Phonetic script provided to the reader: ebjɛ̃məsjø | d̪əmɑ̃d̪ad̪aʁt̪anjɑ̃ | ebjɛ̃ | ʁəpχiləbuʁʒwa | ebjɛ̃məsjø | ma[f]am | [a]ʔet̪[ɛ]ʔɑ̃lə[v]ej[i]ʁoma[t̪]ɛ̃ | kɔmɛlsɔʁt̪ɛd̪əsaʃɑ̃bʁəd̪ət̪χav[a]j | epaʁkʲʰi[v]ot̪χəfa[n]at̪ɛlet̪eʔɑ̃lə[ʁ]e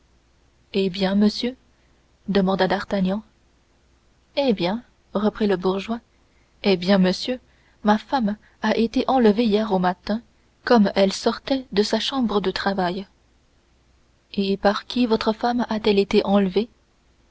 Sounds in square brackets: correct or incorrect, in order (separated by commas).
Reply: correct, correct, incorrect, correct, incorrect, correct, correct, correct, incorrect, incorrect